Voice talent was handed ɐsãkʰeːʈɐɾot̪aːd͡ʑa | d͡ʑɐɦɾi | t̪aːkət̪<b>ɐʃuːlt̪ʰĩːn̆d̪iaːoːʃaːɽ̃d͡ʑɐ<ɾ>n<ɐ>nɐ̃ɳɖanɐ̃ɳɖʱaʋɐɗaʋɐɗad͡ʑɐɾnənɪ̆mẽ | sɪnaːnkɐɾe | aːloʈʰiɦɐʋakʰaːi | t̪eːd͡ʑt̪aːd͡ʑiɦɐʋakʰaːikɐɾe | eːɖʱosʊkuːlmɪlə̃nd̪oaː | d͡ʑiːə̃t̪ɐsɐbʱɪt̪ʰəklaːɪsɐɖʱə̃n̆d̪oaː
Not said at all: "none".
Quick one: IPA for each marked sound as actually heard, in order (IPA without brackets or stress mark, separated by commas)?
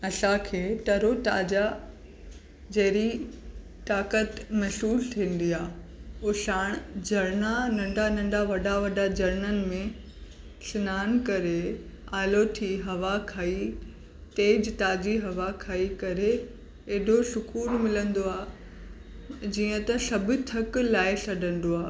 m, ɾ, a